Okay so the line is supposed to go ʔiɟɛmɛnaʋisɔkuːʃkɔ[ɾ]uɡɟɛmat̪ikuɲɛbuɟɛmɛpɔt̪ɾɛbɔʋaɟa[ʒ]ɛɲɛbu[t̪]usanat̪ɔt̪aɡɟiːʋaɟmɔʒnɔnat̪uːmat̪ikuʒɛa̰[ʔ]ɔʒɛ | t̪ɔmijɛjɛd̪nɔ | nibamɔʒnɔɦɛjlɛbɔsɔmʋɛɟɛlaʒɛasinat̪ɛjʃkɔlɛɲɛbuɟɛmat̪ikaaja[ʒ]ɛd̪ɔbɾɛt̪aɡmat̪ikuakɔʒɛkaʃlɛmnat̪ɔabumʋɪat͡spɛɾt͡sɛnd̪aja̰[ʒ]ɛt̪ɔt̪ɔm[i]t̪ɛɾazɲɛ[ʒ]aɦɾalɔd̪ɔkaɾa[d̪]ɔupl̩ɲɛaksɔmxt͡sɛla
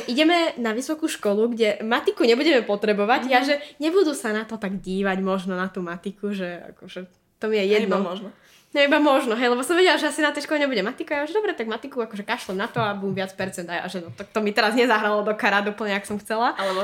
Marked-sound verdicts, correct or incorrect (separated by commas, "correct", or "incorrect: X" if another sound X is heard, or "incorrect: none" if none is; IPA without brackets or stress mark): incorrect: l, correct, incorrect: d̪, incorrect: k, correct, correct, correct, incorrect: z, correct